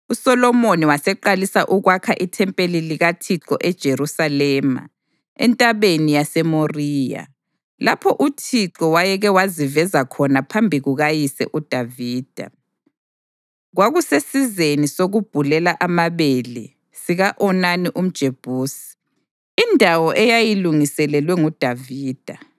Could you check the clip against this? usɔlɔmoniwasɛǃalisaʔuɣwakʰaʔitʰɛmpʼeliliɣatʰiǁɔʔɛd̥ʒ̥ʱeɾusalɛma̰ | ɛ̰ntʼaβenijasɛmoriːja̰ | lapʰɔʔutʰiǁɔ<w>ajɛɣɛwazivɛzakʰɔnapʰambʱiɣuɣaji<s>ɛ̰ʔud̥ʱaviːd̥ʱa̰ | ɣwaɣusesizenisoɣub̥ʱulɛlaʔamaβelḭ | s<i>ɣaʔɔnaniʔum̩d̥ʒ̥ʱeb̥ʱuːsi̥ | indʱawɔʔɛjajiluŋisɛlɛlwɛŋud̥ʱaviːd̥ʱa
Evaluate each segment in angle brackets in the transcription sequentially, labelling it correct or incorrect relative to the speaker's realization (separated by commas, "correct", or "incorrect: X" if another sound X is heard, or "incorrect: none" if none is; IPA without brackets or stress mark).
correct, correct, correct